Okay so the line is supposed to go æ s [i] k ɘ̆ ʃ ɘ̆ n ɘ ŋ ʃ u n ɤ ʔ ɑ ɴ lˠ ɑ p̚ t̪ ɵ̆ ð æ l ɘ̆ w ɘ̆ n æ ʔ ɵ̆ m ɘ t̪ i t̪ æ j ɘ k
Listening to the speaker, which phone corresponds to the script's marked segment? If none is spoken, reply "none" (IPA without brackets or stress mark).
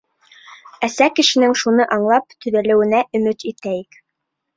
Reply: æ